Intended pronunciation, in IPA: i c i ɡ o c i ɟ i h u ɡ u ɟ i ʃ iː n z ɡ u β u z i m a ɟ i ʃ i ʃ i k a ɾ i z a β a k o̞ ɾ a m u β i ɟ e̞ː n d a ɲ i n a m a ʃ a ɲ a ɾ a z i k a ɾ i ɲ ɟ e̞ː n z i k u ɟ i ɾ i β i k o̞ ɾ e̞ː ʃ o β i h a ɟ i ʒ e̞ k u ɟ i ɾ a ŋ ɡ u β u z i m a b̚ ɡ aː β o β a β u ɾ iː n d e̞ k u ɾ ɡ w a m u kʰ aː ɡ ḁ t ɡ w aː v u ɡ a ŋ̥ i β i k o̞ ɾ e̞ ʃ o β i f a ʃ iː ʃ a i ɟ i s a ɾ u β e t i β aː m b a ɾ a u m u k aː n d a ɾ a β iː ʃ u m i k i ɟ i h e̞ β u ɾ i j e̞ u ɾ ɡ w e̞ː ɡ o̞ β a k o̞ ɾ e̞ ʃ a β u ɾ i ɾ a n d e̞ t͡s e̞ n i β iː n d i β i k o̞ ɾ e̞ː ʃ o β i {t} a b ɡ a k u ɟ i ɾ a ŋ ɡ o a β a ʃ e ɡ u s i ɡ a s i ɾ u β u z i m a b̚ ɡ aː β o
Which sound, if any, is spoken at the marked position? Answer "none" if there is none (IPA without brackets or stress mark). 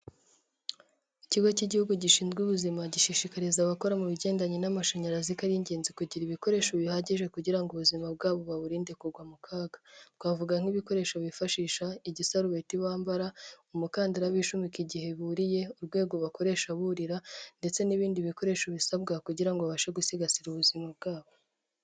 s